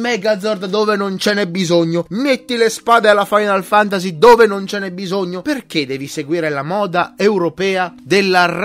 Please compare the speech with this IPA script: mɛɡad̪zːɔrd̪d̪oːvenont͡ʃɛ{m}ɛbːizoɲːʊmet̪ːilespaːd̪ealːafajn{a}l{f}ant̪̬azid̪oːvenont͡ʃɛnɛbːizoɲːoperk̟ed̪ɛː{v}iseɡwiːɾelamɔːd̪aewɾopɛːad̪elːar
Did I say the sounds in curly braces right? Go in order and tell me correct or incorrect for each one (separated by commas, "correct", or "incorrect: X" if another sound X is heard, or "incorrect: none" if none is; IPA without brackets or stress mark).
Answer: incorrect: n, correct, correct, correct